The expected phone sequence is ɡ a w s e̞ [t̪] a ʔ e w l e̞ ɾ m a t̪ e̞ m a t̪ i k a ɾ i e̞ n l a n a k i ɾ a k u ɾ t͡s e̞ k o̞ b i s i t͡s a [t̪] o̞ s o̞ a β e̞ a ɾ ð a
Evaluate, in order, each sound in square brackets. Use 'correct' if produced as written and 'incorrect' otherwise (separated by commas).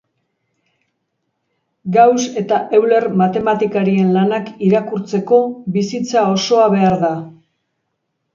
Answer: correct, incorrect